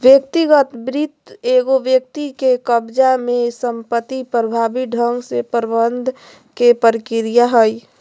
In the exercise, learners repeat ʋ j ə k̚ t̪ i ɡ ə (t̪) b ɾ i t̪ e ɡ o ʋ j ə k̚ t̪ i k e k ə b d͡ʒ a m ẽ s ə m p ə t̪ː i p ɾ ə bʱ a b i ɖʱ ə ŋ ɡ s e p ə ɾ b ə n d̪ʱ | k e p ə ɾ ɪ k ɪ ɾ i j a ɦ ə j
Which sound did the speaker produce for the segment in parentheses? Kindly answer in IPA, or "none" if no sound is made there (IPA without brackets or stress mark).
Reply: t̪